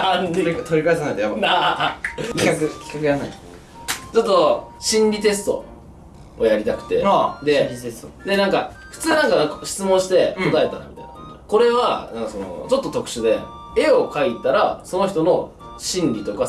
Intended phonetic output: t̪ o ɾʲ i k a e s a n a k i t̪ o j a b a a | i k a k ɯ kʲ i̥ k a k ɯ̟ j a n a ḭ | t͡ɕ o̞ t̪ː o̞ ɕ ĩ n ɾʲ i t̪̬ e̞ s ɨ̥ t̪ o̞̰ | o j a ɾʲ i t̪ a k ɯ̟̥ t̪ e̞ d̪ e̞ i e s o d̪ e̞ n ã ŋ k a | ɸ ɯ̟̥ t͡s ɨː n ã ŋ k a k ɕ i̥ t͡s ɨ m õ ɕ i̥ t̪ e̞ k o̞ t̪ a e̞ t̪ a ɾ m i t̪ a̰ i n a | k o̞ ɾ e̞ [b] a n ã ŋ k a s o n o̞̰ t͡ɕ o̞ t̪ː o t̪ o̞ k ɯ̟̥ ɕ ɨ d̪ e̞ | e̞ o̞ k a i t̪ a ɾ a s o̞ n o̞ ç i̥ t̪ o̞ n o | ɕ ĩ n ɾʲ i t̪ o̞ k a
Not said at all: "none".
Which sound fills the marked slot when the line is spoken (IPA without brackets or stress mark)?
β